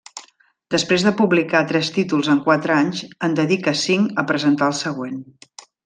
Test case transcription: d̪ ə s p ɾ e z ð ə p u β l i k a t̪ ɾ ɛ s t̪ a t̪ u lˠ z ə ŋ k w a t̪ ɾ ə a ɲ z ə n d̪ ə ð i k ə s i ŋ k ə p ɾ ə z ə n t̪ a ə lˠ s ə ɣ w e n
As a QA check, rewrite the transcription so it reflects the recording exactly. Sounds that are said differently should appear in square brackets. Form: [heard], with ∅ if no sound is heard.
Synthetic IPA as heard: d̪ ə s p ɾ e z ð ə p u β l i k a t̪ ɾ ɛ s t̪ [i] t̪ u lˠ z ə ŋ k w a t̪ ɾ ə a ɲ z ə n d̪ ə ð i k ə s i ŋ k ə p ɾ ə z ə n t̪ a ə lˠ s ə ɣ w e n